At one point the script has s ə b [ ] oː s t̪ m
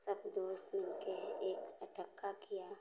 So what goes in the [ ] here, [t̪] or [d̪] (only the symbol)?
d̪